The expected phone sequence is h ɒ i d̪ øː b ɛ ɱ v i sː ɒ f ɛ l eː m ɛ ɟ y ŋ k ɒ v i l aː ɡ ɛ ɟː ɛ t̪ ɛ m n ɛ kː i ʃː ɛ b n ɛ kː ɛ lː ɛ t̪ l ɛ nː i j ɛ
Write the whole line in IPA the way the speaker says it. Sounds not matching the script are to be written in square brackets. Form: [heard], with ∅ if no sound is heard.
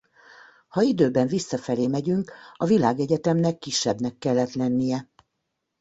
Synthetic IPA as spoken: h ɒ i d̪ øː b ɛ ɱ v i sː ɒ f ɛ l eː m ɛ ɟ y ŋ k ɒ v i l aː ɡ ɛ [ɟ] ɛ t̪ ɛ m n ɛ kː i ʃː ɛ b n ɛ kː ɛ lː ɛ t̪ l ɛ nː i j ɛ